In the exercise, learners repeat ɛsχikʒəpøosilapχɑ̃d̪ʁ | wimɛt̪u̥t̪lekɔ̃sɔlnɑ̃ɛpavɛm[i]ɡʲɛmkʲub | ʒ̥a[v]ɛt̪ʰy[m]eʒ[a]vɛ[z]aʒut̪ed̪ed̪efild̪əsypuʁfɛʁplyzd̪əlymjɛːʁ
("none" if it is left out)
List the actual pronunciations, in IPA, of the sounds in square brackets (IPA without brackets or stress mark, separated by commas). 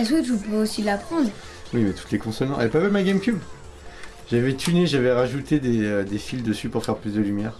a, v, n, a, ʁ